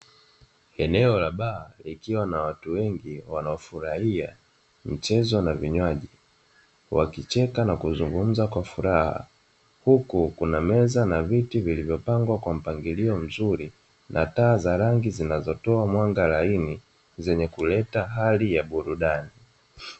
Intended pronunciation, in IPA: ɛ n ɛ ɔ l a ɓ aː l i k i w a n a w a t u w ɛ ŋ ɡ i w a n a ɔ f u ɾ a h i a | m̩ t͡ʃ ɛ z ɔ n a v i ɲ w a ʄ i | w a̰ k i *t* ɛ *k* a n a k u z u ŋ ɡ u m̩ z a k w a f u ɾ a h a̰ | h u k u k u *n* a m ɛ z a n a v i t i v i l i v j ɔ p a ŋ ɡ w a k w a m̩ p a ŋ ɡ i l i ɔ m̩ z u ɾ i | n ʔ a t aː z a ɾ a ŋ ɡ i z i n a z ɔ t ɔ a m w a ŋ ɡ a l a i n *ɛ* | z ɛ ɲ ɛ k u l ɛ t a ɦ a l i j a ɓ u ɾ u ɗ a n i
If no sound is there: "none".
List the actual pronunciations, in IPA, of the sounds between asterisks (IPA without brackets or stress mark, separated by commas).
t͡ʃ, k, n, i